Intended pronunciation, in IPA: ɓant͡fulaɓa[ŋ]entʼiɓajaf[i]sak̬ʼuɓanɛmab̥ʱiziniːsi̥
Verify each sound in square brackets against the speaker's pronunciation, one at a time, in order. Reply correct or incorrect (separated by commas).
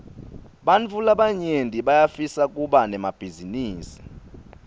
incorrect, correct